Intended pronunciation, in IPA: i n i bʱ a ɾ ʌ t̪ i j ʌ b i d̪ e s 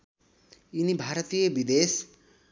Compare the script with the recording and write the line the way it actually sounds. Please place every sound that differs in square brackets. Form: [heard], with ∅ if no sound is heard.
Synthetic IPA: i n i bʱ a ɾ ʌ t̪ i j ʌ b i d̪ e s